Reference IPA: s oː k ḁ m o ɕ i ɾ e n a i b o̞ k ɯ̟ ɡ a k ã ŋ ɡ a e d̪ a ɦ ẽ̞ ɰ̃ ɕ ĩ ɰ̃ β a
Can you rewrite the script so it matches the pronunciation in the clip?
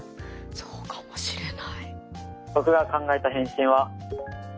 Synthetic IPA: s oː k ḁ m o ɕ i ɾ e n a i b o̞ k ɯ̟ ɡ a k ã ŋ ɡ a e t̪ a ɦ ẽ̞ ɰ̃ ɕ ĩ ɰ̃ β a